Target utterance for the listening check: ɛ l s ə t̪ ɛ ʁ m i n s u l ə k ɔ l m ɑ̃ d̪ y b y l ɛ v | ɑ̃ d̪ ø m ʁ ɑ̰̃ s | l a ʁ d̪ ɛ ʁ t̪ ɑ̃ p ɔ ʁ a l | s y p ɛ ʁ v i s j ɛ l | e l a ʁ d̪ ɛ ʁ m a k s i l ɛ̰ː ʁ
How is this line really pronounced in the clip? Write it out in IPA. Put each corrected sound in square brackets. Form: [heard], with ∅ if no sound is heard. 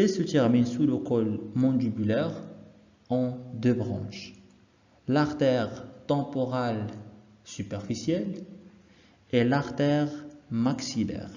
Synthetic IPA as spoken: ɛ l s ə t̪ ɛ ʁ m i n s u l ə k ɔ l m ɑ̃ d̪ y b y l ɛ [ʁ] | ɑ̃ d̪ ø [b] ʁ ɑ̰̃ [ʃ] | l a ʁ [t̪] ɛ ʁ t̪ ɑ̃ p ɔ ʁ a l | s y p ɛ ʁ [f] i s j ɛ l | e l a ʁ [t̪] ɛ ʁ m a k s i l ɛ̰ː ʁ